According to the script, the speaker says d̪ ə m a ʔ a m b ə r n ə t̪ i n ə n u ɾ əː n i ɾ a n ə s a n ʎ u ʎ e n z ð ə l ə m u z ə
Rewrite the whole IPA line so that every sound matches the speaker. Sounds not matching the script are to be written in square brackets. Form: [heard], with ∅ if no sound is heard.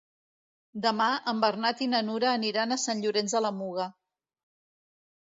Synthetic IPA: d̪ ə m a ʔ [ə] m b ə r n [a] t̪ i n ə n u ɾ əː n i ɾ a n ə s a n ʎ u [ɾ] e n z ð ə l ə m u [ɣ] ə